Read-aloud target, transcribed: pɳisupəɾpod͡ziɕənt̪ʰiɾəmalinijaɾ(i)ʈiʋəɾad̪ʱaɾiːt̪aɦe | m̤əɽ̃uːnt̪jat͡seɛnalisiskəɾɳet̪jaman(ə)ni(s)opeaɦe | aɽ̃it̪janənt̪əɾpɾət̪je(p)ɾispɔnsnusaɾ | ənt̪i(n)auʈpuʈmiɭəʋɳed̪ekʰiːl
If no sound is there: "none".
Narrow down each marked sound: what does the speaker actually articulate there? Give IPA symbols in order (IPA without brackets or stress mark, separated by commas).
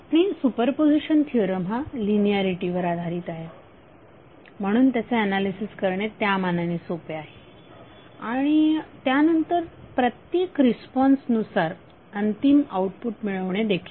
i, a, s, k, m